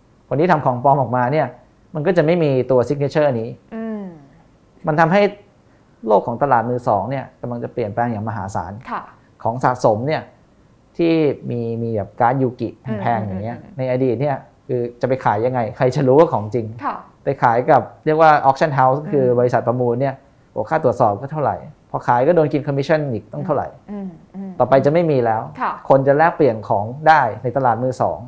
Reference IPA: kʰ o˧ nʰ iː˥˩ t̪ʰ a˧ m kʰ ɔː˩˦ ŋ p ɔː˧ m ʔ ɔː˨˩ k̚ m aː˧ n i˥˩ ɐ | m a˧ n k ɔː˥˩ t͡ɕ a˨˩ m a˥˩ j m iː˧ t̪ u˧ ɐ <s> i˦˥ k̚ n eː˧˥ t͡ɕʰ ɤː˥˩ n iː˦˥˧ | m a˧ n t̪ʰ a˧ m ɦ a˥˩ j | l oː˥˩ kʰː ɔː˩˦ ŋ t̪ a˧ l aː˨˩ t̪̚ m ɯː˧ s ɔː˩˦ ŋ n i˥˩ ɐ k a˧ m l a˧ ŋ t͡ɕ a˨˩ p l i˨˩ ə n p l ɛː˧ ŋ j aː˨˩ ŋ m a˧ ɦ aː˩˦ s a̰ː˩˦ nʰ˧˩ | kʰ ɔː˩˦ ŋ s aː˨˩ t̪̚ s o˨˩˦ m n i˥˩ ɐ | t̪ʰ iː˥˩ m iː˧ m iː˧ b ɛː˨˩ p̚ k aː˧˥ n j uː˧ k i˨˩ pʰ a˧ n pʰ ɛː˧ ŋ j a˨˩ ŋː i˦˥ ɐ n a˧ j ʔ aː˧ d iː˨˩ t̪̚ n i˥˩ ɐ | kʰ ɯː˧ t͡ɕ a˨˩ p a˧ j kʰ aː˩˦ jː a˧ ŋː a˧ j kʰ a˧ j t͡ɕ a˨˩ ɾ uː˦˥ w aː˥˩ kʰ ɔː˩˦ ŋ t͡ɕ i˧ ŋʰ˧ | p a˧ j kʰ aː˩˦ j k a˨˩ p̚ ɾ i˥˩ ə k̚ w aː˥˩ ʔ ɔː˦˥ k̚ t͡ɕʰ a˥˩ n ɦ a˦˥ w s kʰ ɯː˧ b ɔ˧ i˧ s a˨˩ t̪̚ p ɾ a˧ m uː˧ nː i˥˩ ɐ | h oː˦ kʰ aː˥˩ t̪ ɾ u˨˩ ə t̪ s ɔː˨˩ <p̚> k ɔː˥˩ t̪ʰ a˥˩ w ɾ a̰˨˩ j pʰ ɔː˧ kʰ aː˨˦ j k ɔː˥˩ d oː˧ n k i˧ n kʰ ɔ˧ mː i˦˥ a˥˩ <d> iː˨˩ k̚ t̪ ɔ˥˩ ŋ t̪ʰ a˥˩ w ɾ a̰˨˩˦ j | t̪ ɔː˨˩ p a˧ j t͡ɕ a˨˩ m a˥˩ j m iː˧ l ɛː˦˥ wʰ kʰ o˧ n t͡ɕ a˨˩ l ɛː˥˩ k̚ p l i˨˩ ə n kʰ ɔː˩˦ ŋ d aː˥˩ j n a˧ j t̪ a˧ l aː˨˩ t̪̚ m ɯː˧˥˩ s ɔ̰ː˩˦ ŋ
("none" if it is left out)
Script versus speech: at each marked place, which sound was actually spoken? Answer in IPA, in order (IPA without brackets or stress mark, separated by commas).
s, p̚, n